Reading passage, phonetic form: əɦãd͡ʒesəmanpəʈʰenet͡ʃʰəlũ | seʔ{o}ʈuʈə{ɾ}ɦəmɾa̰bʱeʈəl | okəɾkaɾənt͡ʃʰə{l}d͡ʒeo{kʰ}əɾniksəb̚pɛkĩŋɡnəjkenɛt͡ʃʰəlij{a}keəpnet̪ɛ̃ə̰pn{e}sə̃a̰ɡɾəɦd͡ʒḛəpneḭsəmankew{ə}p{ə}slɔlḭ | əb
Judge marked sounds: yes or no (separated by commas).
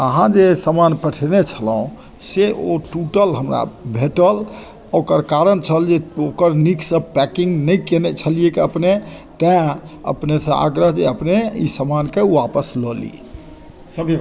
yes, no, yes, no, no, yes, no, yes